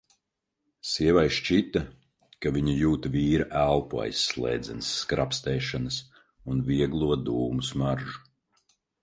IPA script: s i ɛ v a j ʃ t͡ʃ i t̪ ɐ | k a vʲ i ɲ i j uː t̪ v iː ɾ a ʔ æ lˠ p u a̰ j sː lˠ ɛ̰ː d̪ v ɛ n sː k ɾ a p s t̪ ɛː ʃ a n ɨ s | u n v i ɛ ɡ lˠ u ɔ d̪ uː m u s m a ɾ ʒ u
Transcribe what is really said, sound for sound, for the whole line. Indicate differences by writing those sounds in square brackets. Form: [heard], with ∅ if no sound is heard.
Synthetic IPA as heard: s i ɛ v a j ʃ t͡ʃ i t̪ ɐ | k a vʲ i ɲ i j uː t̪ v iː ɾ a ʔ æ lˠ p u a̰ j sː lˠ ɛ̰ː d̪ [z] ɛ n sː k ɾ a p s t̪ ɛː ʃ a n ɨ s | u n v i ɛ ɡ lˠ u ɔ d̪ uː m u s m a ɾ ʒ u